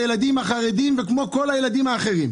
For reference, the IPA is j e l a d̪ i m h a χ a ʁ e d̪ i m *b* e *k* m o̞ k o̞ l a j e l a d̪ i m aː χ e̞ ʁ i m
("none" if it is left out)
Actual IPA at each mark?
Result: v, k

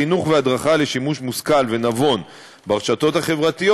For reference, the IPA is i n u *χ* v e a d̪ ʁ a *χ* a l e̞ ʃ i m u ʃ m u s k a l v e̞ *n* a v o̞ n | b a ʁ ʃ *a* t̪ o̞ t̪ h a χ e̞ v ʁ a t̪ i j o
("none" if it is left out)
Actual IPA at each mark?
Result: χ, χ, n, a

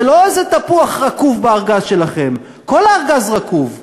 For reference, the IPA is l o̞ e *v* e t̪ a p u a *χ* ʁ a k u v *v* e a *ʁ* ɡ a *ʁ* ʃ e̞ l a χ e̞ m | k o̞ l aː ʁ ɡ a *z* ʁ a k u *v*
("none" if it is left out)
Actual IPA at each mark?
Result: z, χ, b, ʁ, z, z, v

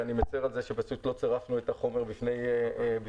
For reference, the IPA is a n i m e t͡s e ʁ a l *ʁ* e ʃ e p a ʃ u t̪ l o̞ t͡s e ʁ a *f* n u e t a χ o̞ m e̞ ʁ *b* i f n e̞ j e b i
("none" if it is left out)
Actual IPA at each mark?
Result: z, f, b

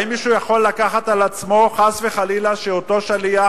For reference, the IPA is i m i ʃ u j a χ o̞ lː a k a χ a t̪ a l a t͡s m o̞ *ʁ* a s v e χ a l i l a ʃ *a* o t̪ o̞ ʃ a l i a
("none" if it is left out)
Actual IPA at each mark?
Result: χ, e

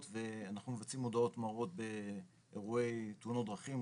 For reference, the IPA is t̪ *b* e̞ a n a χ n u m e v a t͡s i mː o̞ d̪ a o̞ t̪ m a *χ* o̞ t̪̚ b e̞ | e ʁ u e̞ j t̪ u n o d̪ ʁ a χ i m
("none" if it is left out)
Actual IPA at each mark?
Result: v, ʁ

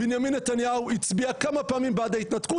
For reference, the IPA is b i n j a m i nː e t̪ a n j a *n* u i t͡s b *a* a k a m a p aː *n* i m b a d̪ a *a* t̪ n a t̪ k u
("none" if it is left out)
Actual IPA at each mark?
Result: none, i, m, i

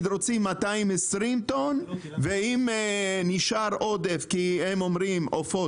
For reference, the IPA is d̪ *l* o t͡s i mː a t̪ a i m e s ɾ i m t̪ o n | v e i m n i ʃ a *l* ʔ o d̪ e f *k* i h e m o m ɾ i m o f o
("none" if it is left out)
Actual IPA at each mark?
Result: ɾ, ɾ, k

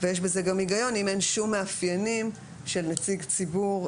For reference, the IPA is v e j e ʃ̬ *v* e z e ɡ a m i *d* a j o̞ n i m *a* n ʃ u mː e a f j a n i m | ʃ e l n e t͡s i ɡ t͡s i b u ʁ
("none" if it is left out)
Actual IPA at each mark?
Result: b, ɡ, e

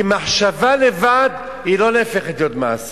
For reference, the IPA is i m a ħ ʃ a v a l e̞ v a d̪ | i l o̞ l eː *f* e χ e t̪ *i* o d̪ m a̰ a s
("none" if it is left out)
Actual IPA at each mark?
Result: f, j

